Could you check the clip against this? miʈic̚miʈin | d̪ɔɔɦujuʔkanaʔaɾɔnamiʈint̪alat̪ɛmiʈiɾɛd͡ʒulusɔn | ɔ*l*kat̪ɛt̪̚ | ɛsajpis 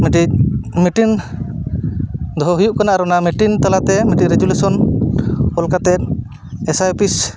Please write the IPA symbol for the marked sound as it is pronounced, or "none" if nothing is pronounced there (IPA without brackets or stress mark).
l